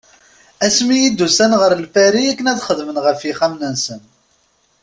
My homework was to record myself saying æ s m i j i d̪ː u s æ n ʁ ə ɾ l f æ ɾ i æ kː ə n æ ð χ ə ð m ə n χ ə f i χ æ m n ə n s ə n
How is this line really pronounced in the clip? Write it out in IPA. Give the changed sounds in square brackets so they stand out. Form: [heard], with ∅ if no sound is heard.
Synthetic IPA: æ s m i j i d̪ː u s æ n ʁ ə ɾ l f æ ɾ i æ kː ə n æ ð χ ə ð m ə n [ʁ] ə f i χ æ m n ə n s ə n